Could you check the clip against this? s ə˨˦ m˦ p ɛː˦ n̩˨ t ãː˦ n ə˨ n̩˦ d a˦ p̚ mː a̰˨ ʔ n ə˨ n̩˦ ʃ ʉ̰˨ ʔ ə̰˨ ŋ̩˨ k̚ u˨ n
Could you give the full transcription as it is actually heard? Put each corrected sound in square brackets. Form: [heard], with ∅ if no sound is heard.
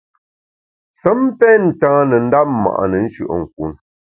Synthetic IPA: s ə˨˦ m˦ p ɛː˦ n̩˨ t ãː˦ n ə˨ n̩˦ d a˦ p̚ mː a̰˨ ʔ n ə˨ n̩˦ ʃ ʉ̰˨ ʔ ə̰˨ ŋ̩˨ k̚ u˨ n